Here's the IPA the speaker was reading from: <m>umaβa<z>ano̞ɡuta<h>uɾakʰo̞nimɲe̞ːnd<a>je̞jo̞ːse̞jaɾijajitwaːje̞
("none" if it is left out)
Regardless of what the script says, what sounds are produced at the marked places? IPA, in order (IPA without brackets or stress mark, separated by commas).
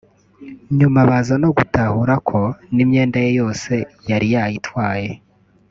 ɲ, z, h, a